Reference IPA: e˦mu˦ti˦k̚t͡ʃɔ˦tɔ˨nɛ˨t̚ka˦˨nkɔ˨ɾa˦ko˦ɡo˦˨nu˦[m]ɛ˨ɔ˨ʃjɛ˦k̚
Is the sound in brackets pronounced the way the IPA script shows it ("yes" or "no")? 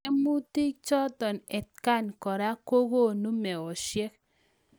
yes